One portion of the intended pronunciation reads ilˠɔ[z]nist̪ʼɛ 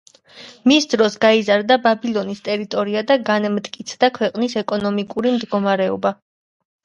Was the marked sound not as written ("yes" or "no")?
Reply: yes